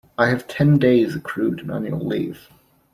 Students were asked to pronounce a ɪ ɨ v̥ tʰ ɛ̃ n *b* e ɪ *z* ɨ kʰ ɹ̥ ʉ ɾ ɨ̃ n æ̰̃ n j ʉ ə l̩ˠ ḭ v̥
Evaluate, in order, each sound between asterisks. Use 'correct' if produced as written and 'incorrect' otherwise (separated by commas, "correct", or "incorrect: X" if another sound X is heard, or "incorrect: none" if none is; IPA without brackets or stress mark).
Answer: incorrect: d, correct